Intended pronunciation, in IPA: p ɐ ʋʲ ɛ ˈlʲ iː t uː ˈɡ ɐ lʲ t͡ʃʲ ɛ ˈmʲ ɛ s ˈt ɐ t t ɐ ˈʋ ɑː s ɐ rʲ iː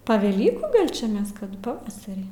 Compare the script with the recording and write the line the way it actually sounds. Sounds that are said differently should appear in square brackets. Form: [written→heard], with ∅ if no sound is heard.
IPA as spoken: p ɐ ʋʲ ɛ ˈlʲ iː [t→k] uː ˈɡ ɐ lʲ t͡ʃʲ ɛ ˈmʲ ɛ s [ˈt→ˈk] ɐ t [t→p] ɐ ˈʋ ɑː s ɐ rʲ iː